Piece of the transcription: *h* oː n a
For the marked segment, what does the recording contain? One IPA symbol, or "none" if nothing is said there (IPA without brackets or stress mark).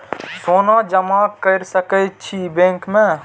s